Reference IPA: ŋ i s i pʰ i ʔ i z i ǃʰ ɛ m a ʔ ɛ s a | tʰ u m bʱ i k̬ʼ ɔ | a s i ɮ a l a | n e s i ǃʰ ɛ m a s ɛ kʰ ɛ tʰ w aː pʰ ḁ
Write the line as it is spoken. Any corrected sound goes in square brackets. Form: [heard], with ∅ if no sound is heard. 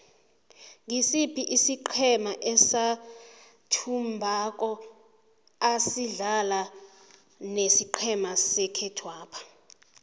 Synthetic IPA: ŋ i s i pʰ i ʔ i [s] i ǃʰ ɛ m a ʔ ɛ s a | tʰ u m bʱ [a] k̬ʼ ɔ | a s i ɮ a l a | n e s i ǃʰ ɛ m a s ɛ kʰ ɛ tʰ w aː pʰ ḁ